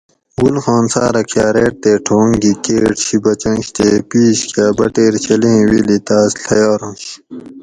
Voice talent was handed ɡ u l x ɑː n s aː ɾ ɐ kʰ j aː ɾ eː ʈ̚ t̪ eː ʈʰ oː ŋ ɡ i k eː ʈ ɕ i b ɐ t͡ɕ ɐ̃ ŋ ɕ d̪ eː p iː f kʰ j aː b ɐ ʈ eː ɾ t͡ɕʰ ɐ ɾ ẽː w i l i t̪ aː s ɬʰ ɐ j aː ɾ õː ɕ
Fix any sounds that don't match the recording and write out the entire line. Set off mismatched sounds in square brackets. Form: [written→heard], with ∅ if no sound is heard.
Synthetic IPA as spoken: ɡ u l x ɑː n s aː ɾ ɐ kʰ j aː ɾ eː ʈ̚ t̪ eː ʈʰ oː ŋ ɡ i k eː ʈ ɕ i b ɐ t͡ɕ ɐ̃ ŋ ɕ [d̪→t̪] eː p iː [f→ɕ] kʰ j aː b ɐ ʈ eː ɾ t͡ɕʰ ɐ [ɾ→l] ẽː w i l i t̪ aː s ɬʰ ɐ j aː ɾ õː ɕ